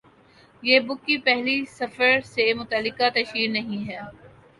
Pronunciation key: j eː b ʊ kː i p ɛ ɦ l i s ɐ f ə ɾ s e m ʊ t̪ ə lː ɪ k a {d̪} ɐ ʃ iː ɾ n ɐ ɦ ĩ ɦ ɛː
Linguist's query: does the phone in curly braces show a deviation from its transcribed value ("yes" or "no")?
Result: yes